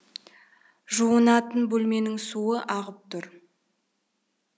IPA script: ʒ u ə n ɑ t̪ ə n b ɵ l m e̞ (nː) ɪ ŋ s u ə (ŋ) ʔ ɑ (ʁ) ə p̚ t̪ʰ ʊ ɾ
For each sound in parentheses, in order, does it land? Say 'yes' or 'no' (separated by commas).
no, no, yes